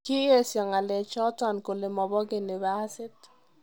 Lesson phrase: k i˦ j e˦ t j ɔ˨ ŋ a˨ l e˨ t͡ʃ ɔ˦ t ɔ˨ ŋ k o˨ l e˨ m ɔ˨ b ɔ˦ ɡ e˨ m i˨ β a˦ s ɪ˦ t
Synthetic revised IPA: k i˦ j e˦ s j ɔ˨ ŋ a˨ l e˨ t͡ʃ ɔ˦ t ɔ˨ n k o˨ l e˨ m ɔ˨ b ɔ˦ ɡ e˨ n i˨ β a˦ s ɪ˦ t